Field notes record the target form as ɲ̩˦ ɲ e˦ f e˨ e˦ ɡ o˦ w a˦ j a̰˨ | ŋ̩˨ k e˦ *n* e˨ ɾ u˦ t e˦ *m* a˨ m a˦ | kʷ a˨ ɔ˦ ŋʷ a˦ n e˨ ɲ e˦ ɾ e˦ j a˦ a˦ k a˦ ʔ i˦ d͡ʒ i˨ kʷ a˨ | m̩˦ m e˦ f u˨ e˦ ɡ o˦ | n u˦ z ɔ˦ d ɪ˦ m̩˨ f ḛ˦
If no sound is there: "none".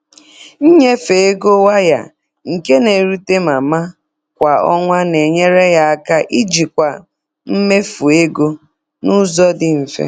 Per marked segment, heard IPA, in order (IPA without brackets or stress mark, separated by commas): n, m